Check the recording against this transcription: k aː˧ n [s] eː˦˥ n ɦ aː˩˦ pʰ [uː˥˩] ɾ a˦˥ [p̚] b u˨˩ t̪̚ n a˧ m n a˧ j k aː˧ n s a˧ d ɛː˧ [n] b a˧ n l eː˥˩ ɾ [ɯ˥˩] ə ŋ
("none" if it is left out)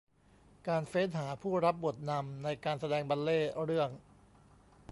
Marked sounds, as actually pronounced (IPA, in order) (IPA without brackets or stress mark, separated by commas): f, uː˥˩, p̚, ŋ, ɯ˥˩